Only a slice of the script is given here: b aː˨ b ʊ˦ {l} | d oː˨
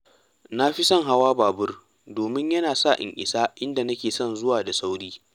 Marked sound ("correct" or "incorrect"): incorrect